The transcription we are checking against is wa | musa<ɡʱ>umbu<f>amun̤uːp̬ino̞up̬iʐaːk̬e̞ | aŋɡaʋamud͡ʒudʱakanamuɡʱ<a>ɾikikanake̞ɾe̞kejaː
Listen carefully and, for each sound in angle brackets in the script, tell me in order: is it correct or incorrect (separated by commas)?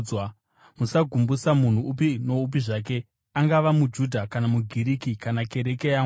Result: correct, incorrect, incorrect